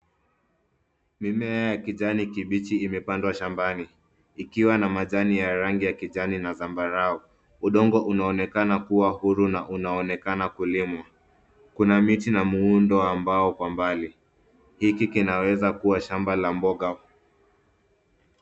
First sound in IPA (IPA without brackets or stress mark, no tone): m